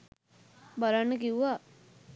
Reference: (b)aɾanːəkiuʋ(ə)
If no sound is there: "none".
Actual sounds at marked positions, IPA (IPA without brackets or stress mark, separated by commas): b, a